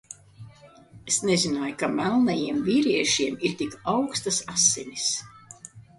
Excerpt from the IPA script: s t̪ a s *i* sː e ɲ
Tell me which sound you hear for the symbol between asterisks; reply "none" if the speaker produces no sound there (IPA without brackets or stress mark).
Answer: a